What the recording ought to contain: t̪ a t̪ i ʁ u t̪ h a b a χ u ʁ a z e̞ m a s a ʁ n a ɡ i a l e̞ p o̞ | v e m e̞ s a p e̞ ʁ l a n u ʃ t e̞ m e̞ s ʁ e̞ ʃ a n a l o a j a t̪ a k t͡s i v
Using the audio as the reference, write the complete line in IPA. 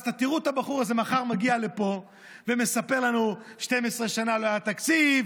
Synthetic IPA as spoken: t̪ a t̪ i ʁ u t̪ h a b a χ u ʁ a z e̞ m a χ a ʁ m a ɡ i a l e̞ p o̞ | v e m e̞ s a p e̞ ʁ l a n u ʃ t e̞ m e̞ s ʁ e̞ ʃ a n a l o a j a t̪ a k t͡s i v